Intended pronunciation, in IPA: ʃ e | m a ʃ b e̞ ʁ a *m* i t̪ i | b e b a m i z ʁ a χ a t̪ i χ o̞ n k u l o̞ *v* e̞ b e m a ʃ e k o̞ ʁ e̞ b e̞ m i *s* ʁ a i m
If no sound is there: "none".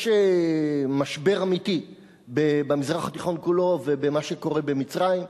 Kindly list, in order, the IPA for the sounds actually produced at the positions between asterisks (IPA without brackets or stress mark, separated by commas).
m, v, t͡s